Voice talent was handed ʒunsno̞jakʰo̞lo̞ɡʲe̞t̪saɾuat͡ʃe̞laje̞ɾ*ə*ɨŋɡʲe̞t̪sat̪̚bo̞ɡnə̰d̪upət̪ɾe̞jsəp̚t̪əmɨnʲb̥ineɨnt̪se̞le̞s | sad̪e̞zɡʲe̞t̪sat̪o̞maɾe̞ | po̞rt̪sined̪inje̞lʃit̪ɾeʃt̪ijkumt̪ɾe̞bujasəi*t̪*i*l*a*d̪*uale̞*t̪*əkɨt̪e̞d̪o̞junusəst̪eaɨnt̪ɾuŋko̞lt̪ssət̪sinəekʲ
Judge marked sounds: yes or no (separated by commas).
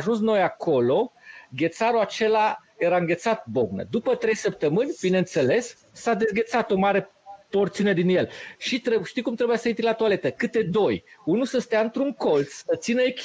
no, yes, yes, no, yes